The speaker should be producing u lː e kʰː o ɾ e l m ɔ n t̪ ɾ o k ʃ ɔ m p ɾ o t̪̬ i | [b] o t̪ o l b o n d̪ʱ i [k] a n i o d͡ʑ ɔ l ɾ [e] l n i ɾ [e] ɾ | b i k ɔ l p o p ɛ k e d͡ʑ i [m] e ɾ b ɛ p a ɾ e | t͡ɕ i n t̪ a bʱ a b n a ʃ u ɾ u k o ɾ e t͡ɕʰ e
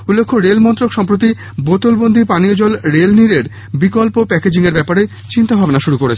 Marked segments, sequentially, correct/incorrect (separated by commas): correct, incorrect, correct, correct, incorrect